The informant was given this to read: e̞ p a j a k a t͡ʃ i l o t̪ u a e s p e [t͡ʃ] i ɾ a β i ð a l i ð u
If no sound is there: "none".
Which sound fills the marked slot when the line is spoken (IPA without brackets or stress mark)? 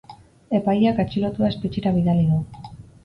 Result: t͡ʃ